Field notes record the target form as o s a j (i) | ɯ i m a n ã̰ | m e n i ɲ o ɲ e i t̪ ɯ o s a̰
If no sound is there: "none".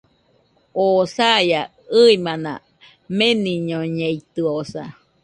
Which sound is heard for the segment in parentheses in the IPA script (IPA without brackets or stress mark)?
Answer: a